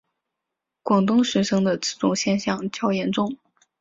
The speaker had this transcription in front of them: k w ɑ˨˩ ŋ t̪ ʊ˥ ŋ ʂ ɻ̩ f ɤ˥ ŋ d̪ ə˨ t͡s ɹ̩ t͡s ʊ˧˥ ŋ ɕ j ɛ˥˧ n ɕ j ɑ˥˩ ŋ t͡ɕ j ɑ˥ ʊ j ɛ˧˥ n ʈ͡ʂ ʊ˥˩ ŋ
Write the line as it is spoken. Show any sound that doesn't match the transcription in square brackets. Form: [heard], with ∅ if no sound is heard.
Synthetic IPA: k w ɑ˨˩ ŋ t̪ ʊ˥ ŋ ʂ ɻ̩ [ʂ] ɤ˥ ŋ d̪ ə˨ t͡s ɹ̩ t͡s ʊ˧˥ ŋ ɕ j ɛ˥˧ n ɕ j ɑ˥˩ ŋ t͡ɕ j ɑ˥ ʊ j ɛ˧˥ n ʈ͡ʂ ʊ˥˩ ŋ